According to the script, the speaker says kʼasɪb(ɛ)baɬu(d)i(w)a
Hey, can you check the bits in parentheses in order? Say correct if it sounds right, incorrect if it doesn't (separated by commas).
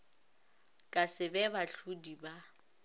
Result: correct, correct, incorrect